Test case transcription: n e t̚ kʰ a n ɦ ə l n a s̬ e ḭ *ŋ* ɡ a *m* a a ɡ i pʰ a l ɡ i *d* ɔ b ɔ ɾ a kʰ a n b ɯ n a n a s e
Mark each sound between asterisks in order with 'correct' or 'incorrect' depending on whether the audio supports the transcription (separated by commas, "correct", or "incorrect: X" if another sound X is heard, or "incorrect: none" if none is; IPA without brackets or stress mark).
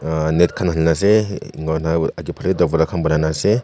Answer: correct, incorrect: n, correct